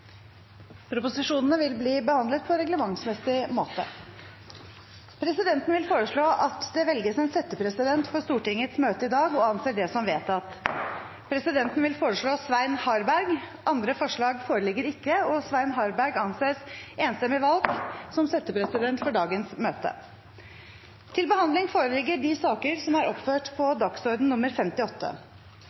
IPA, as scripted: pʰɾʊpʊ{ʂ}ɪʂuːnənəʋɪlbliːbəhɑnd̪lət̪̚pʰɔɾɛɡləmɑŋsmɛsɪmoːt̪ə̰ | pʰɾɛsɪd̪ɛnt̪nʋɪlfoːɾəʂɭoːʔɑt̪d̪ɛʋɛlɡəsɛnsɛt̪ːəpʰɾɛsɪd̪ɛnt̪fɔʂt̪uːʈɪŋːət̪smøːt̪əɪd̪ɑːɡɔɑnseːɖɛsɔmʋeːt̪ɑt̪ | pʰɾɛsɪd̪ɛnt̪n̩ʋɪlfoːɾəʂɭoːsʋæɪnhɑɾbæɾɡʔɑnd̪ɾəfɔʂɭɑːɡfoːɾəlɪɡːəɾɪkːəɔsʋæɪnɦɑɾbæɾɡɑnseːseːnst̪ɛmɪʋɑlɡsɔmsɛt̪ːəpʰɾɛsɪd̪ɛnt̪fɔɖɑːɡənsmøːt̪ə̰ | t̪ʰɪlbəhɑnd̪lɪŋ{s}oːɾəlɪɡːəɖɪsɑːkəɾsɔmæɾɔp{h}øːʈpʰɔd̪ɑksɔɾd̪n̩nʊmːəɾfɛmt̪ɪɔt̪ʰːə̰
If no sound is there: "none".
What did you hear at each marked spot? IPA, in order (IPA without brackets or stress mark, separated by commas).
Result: s, f, f